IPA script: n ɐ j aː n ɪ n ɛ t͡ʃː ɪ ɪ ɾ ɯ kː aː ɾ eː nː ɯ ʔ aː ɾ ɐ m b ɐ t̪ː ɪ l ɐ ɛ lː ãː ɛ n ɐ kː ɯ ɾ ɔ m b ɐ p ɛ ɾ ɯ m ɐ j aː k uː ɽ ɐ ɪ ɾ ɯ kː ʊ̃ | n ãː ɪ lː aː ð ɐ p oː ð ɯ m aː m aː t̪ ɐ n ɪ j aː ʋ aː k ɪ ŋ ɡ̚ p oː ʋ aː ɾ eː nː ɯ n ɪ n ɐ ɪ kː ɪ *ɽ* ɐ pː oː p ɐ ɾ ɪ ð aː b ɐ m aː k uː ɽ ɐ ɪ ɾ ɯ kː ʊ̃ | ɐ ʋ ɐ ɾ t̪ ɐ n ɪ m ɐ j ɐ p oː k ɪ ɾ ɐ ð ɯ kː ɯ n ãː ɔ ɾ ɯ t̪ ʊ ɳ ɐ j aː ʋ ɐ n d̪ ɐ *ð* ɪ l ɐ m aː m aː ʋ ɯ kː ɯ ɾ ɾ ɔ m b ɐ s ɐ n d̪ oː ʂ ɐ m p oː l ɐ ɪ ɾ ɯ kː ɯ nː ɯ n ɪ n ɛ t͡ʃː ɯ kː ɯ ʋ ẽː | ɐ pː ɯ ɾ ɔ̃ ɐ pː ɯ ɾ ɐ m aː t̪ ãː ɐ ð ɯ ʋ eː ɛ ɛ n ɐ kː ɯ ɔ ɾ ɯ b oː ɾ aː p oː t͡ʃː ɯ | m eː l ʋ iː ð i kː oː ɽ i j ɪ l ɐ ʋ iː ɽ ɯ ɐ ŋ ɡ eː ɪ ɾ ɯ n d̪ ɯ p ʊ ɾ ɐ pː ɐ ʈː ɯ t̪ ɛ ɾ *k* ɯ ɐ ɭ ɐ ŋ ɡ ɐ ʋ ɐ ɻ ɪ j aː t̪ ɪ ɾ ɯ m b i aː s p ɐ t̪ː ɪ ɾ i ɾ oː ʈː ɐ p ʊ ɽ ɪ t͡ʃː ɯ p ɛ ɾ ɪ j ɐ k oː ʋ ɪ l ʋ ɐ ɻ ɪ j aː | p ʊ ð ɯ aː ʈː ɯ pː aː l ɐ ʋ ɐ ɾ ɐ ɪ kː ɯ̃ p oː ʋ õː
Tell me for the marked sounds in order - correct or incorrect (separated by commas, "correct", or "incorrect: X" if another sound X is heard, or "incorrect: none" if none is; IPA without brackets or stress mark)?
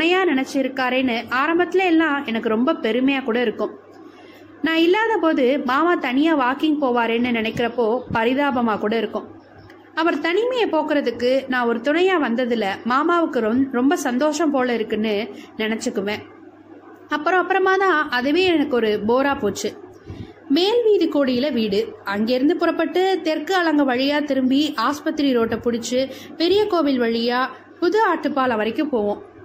incorrect: ɾ, correct, correct